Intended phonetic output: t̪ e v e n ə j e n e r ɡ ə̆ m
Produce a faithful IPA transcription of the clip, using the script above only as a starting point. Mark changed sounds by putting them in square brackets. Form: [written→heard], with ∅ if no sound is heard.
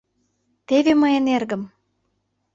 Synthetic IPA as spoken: t̪ e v e [n→m] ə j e n e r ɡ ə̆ m